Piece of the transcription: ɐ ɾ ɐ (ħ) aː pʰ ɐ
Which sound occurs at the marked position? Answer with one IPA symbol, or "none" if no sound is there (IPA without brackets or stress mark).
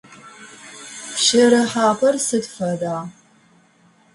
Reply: ħ